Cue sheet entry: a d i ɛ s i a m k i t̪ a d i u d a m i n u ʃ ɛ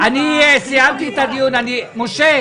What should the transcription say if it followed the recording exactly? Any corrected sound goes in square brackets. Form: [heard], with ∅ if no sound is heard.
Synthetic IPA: a [n] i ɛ s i a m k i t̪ a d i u [n] a [n] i [m] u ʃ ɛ